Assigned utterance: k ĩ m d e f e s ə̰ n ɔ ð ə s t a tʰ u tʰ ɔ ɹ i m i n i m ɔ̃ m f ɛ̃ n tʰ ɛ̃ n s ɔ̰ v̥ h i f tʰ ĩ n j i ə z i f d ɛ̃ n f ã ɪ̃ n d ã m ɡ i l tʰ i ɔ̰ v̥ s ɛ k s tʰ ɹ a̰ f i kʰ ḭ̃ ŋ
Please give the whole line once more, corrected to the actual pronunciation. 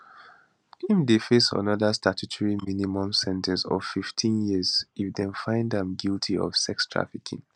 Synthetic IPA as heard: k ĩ m d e f e s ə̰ n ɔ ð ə s t a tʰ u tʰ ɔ ɹ i m i n i m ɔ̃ m s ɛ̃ n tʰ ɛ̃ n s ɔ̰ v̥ f i f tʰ ĩ n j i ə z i f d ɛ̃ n f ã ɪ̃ n d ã m ɡ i l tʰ i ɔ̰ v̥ s ɛ k s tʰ ɹ a̰ f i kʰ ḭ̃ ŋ

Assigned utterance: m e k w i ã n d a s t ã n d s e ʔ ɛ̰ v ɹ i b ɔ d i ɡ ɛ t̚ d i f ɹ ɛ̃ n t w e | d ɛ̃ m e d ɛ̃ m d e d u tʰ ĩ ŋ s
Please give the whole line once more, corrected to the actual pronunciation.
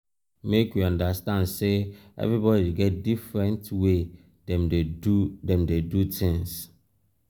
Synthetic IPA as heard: m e k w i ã n d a s t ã n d s e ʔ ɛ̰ v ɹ i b ɔ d i ɡ ɛ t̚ d i f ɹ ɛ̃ n t w e | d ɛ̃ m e d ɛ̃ m d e d u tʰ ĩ ŋ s

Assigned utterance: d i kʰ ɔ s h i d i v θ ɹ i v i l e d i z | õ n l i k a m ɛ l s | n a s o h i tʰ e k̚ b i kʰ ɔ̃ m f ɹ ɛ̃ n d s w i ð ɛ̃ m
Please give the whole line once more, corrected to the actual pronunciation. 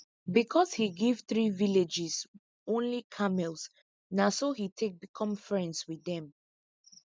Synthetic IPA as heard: b i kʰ ɔ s h i ɡ i v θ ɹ i v i l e d͡ʒ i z | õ n l i kʰ a m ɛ l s | n a s o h i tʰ e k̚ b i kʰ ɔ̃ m f ɹ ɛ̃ n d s w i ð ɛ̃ m

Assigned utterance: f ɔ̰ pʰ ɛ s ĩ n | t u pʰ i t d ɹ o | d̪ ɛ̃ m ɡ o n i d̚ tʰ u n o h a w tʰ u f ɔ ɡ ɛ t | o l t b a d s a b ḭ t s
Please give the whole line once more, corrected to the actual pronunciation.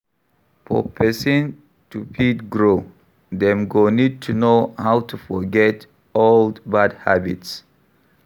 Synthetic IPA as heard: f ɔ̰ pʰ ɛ s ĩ n | t u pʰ i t ɡ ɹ o | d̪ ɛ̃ m ɡ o n i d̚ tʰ u n o h a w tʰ u f ɔ ɡ ɛ t | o l d b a d h a b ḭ t s

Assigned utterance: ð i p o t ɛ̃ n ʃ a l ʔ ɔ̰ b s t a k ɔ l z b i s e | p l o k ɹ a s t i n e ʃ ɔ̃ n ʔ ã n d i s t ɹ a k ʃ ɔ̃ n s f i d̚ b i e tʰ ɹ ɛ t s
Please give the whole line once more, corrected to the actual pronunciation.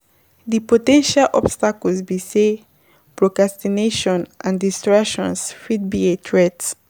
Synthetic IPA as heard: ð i p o t ɛ̃ n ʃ a l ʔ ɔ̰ b s t a k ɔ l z b i s e | p ɹ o k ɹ a s t i n e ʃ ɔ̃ n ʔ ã n d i s t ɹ a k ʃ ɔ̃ n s f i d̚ b i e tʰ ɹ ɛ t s

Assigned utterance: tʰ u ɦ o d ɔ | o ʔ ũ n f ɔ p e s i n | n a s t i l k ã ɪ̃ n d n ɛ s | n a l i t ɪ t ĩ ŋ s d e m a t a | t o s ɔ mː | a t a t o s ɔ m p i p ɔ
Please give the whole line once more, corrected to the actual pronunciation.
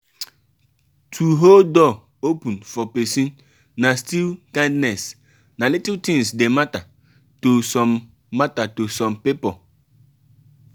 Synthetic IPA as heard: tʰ u ɦ o d ɔ | o p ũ n f ɔ p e s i n | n a s t i l k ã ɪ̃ n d n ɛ s | n a l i t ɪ t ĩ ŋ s d e m a t a | t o s ɔ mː | a t a t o s ɔ m p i p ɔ

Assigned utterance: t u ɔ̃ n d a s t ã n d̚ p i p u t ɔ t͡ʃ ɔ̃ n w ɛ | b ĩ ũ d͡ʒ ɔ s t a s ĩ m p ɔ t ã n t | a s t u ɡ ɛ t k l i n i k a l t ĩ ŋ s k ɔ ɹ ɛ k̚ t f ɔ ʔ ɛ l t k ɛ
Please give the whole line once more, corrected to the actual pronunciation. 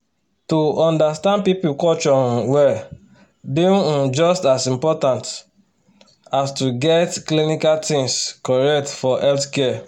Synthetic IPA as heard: t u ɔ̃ n d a s t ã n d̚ p i p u k ɔ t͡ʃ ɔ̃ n w ɛ | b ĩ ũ d͡ʒ ɔ s t a s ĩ m p ɔ t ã n t | a s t u ɡ ɛ t k l i n i k a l t ĩ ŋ s k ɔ ɹ ɛ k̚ t f ɔ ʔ ɛ l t k ɛ

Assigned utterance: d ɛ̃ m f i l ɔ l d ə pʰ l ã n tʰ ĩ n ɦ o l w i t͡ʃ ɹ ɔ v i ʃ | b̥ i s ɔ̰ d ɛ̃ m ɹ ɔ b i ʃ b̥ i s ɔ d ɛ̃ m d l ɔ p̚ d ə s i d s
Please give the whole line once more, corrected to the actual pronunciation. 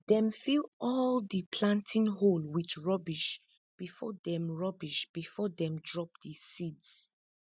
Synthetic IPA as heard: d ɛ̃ m f i l ɔ l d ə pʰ l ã n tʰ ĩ n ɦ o l w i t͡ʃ ɹ ɔ b i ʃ | b̥ i f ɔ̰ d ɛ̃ m ɹ ɔ b i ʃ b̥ i f ɔ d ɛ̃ m d ɹ ɔ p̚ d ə s i d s

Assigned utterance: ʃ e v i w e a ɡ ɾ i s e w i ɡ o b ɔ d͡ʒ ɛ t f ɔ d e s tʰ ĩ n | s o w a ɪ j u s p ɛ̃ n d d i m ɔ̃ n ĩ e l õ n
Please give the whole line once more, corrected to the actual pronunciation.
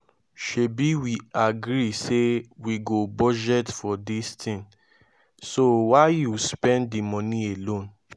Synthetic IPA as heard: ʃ e b i w i a ɡ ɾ i s e w i ɡ o b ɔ d͡ʒ ɛ t f ɔ d i s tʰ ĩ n | s o w a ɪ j u s p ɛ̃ n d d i m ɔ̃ n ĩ e l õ n

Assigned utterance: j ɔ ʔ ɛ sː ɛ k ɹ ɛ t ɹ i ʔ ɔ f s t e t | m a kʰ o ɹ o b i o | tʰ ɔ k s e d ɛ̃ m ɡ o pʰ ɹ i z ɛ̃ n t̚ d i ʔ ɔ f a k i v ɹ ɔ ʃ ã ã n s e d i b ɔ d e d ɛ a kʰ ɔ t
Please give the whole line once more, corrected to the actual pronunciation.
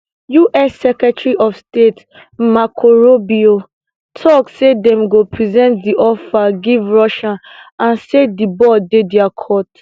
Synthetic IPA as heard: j u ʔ ɛ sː ɛ k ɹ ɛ t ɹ i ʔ ɔ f s t e t | m a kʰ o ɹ o b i o | tʰ ɔ k s e d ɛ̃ m ɡ o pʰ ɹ i z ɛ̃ n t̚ d i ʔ ɔ f a ɡ i v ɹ ɔ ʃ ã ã n s e d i b ɔ d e d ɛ a kʰ ɔ t

